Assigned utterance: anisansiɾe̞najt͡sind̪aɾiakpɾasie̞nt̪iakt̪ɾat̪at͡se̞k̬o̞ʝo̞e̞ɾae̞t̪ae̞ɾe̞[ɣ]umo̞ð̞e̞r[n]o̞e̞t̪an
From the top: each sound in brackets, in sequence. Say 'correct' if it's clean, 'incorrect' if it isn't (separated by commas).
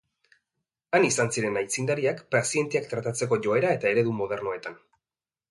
incorrect, correct